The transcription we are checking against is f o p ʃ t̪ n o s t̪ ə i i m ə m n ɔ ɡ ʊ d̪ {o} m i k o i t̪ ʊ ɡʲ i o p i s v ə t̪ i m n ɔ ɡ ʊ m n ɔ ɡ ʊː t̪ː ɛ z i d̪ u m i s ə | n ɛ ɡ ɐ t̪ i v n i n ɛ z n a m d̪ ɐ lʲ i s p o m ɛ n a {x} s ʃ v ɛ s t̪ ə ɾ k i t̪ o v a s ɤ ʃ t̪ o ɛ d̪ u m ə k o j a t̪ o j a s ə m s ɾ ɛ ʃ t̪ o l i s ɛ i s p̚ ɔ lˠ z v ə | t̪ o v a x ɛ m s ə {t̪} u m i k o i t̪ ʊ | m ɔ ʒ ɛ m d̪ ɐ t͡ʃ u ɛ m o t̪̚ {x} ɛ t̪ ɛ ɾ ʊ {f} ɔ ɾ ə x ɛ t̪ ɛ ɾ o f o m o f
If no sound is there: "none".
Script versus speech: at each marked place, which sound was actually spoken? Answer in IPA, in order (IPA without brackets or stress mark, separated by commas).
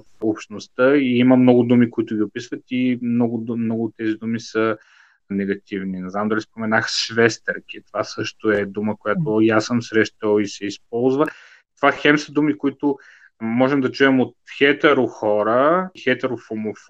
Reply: u, x, d̪, x, x